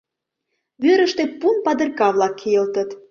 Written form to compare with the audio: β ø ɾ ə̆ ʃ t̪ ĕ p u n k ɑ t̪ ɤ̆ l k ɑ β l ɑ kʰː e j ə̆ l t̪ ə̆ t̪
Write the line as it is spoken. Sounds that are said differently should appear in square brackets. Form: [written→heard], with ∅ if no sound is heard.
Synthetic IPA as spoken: β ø ɾ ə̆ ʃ t̪ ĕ p u n [k→p] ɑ [t̪→d̪] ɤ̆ [l→r] k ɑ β l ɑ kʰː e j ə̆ l t̪ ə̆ t̪

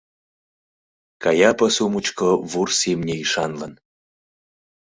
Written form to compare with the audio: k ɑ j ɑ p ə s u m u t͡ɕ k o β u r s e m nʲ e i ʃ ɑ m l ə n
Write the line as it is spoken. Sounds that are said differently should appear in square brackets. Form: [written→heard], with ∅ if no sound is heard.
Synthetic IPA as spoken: k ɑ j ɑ p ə s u m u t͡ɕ k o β u r s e m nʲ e i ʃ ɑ [m→n] l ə n

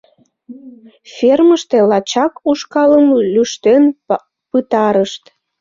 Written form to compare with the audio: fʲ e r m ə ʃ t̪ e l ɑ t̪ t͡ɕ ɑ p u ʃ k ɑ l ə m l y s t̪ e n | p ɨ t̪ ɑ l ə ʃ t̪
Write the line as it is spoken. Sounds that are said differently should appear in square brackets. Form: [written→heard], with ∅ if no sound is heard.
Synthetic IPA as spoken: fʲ e r m ə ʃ t̪ e l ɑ [t̪→∅] t͡ɕ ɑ [p→k] u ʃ k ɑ l ə m l y [s→ʃ] t̪ e n | p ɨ t̪ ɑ [l→ɾ] ə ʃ t̪

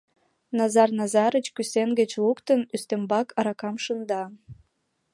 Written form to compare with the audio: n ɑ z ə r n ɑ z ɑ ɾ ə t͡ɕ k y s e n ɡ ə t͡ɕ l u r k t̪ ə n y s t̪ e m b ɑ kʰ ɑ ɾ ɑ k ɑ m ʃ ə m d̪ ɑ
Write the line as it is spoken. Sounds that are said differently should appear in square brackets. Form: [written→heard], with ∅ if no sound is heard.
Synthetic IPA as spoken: n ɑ z [ə→ɑ] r n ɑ z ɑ ɾ ə t͡ɕ k y s e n ɡ ə t͡ɕ l u [r→∅] k t̪ ə n y s t̪ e m b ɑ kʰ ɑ ɾ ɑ k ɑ m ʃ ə [m→n] d̪ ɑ

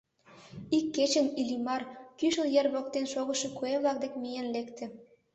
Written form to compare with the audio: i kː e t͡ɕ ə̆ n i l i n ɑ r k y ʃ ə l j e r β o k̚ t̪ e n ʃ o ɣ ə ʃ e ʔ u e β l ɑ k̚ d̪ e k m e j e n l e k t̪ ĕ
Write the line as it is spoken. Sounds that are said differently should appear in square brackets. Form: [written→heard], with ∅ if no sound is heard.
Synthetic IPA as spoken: i kː e t͡ɕ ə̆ n i l i [n→m] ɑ r k y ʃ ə l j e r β o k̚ t̪ e n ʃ o ɣ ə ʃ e [ʔ→k] u e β l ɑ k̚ d̪ e k m [e→i] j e n l e k t̪ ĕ

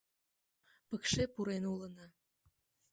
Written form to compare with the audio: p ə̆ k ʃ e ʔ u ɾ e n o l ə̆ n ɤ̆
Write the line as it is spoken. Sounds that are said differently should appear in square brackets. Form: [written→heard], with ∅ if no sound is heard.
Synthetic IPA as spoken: p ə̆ k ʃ e [ʔ→p] u ɾ e n [o→u] l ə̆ n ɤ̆

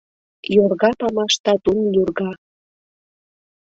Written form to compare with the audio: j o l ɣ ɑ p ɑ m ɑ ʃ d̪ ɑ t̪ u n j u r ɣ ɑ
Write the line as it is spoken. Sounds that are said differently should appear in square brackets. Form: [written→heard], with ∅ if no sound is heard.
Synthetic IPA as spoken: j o [l→r] ɣ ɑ p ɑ m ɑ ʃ [d̪→t̪] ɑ t̪ u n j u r ɣ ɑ

